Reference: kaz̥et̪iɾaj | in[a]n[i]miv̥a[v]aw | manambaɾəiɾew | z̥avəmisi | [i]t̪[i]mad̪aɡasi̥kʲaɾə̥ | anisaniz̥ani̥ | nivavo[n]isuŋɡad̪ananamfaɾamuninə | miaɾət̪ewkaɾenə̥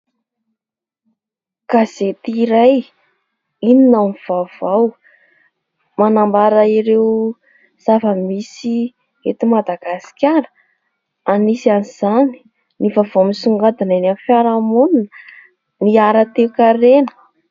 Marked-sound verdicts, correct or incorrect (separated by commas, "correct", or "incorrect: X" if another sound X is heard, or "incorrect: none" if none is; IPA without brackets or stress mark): incorrect: i, incorrect: a, correct, incorrect: e, correct, incorrect: m